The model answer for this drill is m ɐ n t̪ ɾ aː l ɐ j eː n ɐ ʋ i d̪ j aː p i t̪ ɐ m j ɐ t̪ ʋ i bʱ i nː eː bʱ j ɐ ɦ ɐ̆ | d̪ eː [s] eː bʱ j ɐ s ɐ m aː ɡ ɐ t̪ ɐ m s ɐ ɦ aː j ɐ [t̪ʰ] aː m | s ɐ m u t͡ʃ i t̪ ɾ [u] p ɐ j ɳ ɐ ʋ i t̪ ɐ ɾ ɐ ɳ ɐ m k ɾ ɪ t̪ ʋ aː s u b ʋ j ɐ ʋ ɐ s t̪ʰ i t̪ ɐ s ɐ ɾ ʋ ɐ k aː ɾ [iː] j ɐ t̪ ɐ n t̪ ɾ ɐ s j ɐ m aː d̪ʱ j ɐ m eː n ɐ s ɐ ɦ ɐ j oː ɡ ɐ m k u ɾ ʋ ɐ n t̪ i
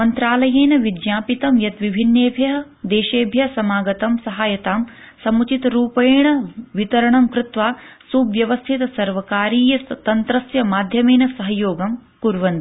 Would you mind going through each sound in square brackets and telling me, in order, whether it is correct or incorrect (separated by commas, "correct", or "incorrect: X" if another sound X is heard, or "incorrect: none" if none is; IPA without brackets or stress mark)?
incorrect: ʃ, incorrect: t̪, incorrect: uː, correct